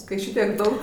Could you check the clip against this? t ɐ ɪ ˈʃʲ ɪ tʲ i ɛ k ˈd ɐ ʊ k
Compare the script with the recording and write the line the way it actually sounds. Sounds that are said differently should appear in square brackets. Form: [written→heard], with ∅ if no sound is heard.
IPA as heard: [t→k] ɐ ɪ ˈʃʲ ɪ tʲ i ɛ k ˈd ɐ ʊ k